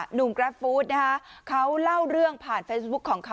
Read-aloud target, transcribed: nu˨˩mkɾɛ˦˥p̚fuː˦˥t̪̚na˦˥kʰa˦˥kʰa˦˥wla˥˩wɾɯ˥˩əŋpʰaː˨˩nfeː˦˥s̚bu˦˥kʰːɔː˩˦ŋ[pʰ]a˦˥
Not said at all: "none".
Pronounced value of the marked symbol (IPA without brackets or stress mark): kʰ